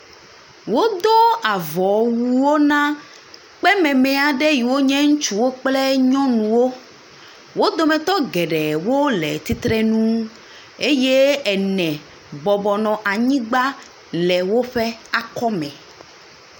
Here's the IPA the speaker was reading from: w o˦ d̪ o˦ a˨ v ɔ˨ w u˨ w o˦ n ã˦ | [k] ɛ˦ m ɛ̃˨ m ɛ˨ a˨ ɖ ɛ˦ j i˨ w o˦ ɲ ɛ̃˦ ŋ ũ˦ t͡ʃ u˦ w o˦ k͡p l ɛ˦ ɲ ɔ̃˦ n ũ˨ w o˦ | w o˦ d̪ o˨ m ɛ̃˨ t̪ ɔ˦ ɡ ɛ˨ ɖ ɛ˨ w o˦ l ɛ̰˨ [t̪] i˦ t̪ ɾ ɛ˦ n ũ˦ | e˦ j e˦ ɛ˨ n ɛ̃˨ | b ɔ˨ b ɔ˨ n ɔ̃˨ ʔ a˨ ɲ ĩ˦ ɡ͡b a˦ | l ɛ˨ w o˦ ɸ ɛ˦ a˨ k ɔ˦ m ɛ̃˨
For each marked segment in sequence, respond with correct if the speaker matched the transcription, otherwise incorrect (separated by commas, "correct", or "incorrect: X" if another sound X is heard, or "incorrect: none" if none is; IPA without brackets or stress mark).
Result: incorrect: k͡p, correct